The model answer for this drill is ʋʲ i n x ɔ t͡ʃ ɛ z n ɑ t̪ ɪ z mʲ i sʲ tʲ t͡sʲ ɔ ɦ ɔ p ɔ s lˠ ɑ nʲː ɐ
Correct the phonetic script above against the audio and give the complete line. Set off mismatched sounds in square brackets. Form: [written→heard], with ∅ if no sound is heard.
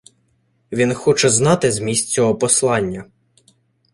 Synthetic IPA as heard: ʋʲ i n x ɔ t͡ʃ ɛ z n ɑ t̪ ɪ z mʲ i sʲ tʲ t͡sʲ ɔ ɦ ɔ p ɔ s lˠ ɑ nʲː ɐ